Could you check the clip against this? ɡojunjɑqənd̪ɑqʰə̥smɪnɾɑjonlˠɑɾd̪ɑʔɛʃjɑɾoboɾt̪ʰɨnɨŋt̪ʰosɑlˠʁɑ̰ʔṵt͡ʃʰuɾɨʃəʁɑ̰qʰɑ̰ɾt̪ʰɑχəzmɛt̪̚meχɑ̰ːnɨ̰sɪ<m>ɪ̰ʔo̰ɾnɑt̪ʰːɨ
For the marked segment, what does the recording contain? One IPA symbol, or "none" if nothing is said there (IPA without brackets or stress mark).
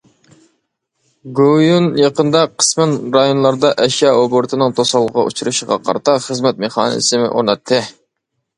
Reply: m